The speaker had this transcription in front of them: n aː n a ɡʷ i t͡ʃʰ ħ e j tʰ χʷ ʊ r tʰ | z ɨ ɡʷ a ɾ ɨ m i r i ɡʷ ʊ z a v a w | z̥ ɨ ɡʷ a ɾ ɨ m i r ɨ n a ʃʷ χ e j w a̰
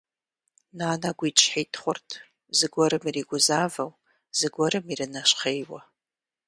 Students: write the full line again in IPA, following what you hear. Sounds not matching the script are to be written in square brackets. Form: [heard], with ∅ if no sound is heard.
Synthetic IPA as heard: n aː n a ɡʷ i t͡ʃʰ ħ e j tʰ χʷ ʊ r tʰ | z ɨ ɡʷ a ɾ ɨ m i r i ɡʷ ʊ z a v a w | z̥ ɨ ɡʷ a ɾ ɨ m i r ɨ n a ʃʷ χ e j w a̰

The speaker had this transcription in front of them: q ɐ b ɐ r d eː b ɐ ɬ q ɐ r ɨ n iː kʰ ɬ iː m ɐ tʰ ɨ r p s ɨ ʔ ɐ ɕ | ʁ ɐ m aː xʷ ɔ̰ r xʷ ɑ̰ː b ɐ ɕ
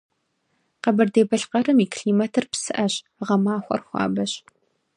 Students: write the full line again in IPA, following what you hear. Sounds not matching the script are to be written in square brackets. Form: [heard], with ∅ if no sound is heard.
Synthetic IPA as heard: q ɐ b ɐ r d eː b ɐ ɬ q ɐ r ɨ [m] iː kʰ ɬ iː m ɐ tʰ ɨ r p s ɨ ʔ ɐ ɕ | ʁ ɐ m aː xʷ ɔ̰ r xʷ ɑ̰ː b ɐ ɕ

